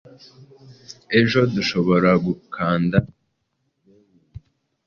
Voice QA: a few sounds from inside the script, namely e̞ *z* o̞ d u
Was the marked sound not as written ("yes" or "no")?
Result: yes